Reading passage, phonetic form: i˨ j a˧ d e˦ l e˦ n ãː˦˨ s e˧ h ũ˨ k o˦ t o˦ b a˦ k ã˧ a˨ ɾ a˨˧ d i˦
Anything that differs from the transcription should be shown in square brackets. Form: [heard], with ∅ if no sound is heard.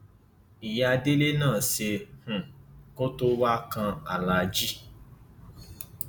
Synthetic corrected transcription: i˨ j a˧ d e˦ l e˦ n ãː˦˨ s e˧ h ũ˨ k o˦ t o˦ [w] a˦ k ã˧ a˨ [l] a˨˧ [d͡ʒ] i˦